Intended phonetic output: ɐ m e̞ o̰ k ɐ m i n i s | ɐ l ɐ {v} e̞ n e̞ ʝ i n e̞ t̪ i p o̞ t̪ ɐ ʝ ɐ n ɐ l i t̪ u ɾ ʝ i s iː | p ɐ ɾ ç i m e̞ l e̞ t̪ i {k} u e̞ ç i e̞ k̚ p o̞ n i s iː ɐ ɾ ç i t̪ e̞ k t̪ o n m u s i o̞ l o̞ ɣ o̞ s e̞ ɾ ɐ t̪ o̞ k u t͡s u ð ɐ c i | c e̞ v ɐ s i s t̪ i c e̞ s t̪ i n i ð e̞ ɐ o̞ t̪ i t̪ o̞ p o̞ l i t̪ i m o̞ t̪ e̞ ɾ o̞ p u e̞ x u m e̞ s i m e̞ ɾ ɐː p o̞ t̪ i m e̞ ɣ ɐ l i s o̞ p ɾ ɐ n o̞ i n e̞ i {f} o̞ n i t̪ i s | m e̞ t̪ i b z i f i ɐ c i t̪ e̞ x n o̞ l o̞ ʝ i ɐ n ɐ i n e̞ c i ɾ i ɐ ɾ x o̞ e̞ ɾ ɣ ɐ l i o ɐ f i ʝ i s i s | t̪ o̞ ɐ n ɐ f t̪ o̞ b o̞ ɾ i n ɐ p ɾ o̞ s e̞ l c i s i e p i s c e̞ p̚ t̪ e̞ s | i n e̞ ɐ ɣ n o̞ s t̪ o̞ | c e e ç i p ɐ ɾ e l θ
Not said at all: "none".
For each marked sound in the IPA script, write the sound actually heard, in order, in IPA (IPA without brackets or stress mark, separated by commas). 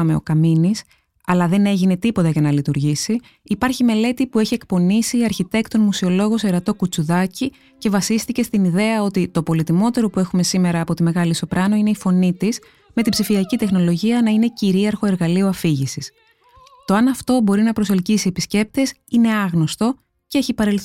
ð, p, f